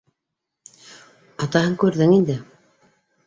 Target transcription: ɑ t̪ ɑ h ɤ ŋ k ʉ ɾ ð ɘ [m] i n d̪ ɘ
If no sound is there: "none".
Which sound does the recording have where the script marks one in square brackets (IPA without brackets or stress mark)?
ŋ